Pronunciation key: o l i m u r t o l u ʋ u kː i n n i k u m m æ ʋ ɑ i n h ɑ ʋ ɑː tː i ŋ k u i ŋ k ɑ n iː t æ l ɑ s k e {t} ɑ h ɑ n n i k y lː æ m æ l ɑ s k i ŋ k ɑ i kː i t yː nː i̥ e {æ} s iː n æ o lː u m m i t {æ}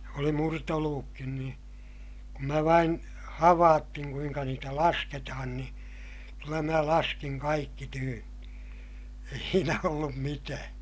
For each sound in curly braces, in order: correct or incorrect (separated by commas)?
correct, incorrect, incorrect